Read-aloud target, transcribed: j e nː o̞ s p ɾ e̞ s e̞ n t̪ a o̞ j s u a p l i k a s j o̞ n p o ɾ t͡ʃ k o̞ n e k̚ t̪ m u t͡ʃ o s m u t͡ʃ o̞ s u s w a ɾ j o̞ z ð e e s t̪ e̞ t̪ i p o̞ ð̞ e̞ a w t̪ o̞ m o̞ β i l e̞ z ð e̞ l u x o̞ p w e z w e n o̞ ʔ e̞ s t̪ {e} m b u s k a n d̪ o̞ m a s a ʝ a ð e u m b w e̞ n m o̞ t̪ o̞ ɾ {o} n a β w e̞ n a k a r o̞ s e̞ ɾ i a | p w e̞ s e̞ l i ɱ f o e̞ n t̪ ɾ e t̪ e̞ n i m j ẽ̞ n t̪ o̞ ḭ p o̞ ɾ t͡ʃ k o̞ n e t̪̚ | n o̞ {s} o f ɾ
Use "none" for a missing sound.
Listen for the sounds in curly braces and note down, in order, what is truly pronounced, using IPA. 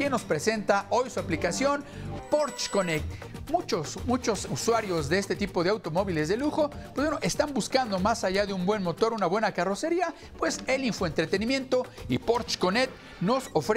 a, u, s

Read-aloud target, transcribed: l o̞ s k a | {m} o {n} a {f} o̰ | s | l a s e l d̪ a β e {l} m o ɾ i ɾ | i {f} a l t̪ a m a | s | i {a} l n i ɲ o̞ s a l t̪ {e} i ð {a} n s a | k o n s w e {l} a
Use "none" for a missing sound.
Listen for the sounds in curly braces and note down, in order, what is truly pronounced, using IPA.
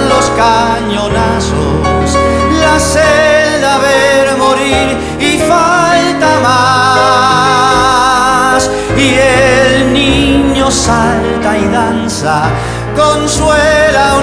ɲ, n, s, ɾ, f, e, a, a, l

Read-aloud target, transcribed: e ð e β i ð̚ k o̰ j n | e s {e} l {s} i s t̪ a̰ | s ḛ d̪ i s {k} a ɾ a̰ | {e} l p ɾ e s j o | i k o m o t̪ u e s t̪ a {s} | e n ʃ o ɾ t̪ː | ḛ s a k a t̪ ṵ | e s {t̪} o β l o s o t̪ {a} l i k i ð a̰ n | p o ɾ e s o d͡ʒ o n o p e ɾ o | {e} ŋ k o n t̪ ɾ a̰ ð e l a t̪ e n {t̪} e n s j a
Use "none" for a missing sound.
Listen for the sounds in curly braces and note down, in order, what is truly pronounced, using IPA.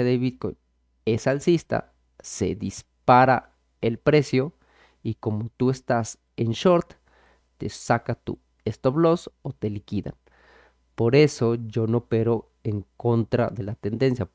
a, s, p, e, s, t̪, e, e, d̪

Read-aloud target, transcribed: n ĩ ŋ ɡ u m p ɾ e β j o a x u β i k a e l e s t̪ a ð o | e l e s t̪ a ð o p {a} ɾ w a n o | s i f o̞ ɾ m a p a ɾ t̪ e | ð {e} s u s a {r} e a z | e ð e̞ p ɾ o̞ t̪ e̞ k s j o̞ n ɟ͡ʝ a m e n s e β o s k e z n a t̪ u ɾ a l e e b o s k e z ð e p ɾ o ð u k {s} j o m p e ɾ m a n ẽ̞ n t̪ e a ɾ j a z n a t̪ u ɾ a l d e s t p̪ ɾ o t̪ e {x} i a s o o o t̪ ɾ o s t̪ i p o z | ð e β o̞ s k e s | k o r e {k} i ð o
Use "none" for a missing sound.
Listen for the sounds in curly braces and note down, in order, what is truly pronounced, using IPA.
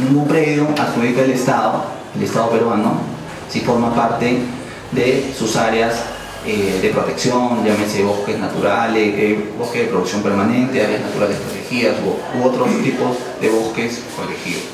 e, e, ɾ, s, x, x

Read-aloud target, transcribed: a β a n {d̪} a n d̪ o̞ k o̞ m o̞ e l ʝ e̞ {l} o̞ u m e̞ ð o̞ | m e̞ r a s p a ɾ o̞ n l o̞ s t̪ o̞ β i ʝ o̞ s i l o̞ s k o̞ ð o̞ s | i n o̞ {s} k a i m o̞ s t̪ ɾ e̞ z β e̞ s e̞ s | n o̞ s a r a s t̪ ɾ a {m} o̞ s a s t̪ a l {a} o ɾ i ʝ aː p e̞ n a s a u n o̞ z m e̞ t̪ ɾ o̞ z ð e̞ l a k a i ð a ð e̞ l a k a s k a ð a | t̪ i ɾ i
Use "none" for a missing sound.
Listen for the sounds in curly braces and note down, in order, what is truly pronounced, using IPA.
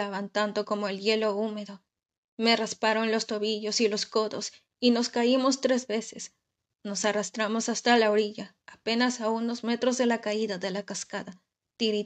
t̪, l, s, m, a

